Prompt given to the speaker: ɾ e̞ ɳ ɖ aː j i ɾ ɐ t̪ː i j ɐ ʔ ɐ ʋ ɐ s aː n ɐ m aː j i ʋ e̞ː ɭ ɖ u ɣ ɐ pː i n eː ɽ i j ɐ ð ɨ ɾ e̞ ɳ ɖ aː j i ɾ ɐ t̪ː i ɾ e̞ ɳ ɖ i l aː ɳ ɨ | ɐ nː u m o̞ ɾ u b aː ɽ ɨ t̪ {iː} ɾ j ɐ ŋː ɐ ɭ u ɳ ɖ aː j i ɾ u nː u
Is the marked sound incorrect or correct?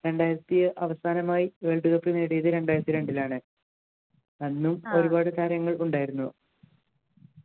incorrect: aː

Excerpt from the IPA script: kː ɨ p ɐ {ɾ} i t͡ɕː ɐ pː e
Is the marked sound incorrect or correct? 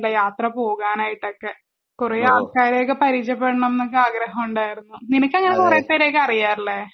correct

